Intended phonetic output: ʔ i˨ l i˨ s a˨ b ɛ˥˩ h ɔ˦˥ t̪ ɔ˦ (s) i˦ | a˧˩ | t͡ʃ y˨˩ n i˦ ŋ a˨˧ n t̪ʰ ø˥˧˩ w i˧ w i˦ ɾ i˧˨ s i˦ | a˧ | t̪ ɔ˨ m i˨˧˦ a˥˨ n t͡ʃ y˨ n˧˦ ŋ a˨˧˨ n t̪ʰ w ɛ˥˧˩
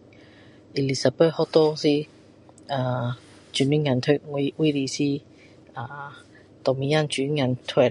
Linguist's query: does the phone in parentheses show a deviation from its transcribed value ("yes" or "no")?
no